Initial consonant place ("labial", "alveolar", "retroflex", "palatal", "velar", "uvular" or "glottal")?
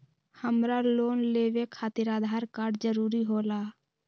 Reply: glottal